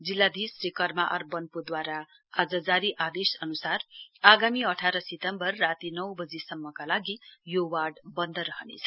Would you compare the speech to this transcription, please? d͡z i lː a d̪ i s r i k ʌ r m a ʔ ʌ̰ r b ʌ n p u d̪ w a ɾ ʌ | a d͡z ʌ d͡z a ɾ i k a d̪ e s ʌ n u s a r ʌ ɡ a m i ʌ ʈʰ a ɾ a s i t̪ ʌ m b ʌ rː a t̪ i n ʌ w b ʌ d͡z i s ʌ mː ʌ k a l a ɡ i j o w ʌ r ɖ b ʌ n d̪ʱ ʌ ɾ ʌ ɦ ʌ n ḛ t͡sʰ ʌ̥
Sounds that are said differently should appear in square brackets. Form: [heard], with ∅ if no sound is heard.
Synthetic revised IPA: d͡z i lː a d̪ i s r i k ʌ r m a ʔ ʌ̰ r b ʌ n p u d̪ w a ɾ [a] | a d͡z ʌ d͡z a ɾ i [ʔ] a d̪ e s ʌ n u s a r [a] ɡ a m i ʌ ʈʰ a ɾ [ʌ] s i t̪ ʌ m b ʌ rː a t̪ i n ʌ w b ʌ d͡z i s ʌ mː ʌ k a l a ɡ i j o w [a] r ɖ b ʌ n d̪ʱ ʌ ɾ ʌ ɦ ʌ n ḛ t͡sʰ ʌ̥

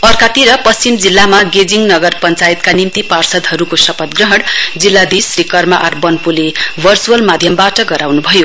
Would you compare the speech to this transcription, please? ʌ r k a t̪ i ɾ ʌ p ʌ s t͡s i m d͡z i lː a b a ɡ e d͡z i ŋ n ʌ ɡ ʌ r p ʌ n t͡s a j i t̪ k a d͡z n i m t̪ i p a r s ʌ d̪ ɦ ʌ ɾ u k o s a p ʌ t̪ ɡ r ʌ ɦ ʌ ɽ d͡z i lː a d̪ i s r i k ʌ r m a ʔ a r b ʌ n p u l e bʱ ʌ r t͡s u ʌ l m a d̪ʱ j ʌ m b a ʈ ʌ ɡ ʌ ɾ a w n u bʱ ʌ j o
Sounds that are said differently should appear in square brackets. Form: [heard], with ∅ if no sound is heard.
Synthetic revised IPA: ʌ r k a t̪ i ɾ ʌ p ʌ s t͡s i m d͡z i lː a [m] a ɡ e d͡z i ŋ n ʌ ɡ ʌ r p ʌ n t͡s a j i t̪ k a [∅] n i m t̪ i p a r s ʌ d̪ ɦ ʌ ɾ u k o s [ʌ] p ʌ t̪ ɡ r ʌ ɦ ʌ ɽ d͡z i lː a d̪ i s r i k ʌ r m a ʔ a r b ʌ n p u l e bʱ ʌ r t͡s u ʌ l m a d̪ʱ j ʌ m b a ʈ ʌ ɡ ʌ ɾ a w n u bʱ ʌ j o

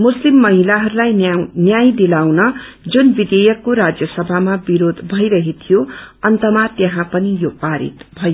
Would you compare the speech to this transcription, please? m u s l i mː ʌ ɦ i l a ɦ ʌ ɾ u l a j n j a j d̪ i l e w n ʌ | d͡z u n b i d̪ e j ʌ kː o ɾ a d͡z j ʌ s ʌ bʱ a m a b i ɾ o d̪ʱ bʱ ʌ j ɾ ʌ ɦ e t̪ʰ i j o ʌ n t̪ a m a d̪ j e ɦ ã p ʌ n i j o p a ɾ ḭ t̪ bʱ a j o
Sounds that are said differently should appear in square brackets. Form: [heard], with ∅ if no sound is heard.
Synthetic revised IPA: m u s l i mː ʌ ɦ i l a ɦ ʌ ɾ u l a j n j a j d̪ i l [a] w n ʌ | d͡z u n b i d̪ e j ʌ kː o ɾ a d͡z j ʌ s ʌ bʱ a m a b i ɾ o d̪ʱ bʱ ʌ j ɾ ʌ ɦ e t̪ʰ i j o ʌ n t̪ [ʌ] m a [t̪] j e ɦ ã p ʌ n i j o p a ɾ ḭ t̪ bʱ [ʌ] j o

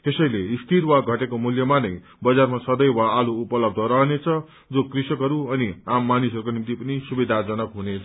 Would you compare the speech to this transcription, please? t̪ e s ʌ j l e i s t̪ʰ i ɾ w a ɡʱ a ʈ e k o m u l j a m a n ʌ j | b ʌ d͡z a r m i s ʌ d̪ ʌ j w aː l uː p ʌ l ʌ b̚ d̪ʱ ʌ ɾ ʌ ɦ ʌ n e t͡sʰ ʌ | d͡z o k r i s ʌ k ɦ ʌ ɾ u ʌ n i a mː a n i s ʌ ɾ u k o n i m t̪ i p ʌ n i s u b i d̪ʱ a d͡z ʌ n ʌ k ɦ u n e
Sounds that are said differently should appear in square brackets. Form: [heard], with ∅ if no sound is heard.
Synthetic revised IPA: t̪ e s ʌ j l e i s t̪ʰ i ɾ w a ɡʱ [ʌ] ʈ e k o m u l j [ʌ] m a n ʌ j | b ʌ d͡z a r m [a] s ʌ d̪ ʌ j w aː l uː p ʌ l ʌ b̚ d̪ʱ ʌ ɾ ʌ ɦ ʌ n e t͡sʰ ʌ | d͡z o k r i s ʌ k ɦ ʌ ɾ u ʌ n i a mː a n i s ʌ ɾ u k o n i m t̪ i p ʌ n i s u b i d̪ʱ a d͡z ʌ n ʌ k ɦ u n e

